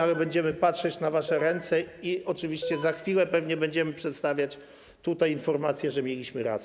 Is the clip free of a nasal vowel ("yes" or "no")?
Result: yes